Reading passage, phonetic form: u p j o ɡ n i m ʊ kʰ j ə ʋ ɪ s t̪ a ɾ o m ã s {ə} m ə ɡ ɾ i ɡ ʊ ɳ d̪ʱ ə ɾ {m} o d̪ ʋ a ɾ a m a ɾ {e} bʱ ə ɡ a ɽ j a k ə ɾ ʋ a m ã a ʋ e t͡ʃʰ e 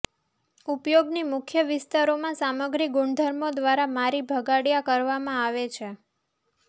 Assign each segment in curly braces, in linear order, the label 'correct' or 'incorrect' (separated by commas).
incorrect, correct, incorrect